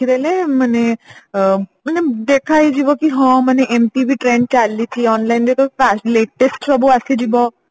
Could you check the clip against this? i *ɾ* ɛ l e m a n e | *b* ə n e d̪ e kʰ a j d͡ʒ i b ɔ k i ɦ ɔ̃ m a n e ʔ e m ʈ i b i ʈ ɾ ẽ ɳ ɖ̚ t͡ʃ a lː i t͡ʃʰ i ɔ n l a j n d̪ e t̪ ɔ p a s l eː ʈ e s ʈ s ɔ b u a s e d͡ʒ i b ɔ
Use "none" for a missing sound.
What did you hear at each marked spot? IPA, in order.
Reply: ɾ, m

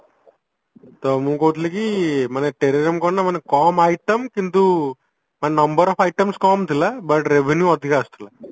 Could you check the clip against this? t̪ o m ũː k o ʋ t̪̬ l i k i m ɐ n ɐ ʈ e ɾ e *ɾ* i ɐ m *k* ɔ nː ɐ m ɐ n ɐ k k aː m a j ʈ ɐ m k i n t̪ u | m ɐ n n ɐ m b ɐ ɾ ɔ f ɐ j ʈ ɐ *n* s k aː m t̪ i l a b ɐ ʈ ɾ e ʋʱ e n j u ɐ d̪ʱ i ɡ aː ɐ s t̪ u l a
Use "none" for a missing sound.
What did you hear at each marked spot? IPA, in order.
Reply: ɾ, k, m

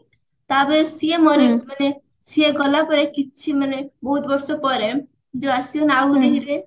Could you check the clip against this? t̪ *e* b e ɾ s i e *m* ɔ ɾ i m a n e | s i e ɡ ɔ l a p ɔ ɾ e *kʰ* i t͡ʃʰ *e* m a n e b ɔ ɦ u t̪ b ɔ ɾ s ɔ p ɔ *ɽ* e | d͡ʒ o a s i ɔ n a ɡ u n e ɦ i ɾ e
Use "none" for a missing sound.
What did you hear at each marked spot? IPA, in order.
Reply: a, m, k, i, ɾ

